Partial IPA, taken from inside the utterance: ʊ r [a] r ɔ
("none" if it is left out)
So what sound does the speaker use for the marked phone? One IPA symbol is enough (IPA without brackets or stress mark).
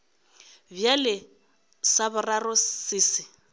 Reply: a